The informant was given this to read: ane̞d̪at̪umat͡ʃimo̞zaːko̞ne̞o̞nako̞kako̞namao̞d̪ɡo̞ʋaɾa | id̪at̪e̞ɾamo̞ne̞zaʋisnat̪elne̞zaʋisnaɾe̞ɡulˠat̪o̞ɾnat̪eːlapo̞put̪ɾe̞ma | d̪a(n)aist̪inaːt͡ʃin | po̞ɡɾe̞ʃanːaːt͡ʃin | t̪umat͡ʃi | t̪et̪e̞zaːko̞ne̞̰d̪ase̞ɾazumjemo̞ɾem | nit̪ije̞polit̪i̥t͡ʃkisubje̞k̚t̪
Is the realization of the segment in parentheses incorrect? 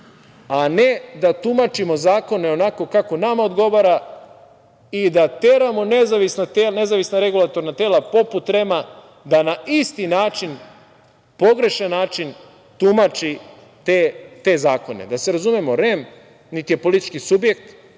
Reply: no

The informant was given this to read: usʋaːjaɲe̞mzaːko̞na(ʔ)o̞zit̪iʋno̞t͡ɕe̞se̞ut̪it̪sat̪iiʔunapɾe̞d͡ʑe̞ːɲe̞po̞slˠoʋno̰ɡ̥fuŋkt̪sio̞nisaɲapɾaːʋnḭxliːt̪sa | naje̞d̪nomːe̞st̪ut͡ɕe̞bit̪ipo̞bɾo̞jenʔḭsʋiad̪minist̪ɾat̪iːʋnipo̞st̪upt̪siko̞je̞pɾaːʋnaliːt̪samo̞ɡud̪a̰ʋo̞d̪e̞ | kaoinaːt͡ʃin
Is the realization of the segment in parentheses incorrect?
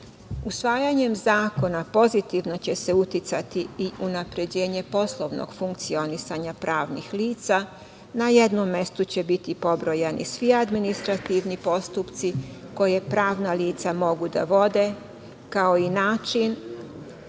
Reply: yes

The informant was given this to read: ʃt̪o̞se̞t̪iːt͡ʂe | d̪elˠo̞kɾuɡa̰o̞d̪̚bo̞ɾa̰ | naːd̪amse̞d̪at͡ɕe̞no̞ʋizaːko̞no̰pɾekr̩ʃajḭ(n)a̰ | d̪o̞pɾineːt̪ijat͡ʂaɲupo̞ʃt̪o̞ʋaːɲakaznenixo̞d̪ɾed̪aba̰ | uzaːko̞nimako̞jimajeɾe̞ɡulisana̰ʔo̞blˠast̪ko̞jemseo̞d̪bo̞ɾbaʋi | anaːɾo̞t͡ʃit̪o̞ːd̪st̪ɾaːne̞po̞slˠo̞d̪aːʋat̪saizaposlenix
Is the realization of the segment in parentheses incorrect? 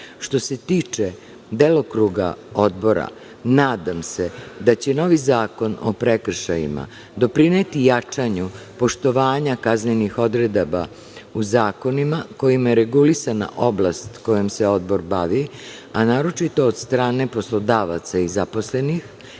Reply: yes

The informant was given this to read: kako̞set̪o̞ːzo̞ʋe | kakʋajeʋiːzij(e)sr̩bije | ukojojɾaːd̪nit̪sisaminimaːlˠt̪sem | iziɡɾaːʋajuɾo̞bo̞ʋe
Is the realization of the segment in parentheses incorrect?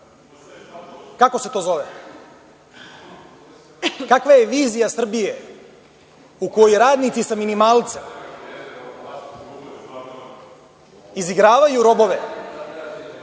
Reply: yes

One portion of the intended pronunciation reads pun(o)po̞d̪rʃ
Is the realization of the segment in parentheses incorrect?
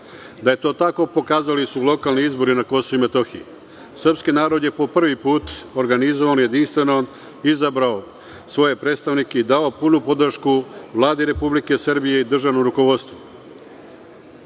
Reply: yes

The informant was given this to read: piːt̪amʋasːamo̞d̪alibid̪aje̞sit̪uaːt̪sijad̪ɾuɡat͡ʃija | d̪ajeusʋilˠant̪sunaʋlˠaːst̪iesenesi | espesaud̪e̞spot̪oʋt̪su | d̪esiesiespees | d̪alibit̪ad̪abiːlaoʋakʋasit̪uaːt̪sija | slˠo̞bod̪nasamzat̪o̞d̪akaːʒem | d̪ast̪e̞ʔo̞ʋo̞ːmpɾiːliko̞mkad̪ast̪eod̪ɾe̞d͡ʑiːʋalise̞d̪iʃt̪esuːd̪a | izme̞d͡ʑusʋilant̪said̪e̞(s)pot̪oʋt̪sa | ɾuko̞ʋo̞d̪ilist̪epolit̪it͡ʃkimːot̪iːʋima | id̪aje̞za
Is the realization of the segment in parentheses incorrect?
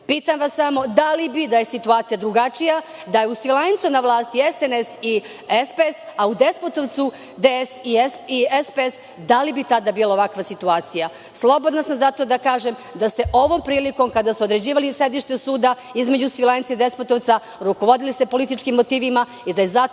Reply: no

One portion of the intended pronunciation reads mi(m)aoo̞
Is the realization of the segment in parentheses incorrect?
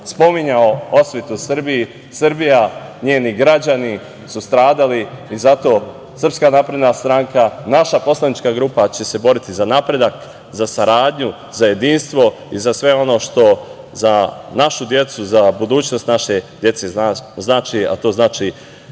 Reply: yes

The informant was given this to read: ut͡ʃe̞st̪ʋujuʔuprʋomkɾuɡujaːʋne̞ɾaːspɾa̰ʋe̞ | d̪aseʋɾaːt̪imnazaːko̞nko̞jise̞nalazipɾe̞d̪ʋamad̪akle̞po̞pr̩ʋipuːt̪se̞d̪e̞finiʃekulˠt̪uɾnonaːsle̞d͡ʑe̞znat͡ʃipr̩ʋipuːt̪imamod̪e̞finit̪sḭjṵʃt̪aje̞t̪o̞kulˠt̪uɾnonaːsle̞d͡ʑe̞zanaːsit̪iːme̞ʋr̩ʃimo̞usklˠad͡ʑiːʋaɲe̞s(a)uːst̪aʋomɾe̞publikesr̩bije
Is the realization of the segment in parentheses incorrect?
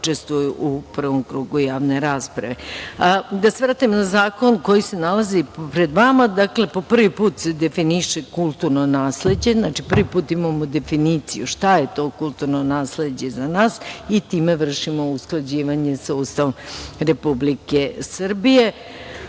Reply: no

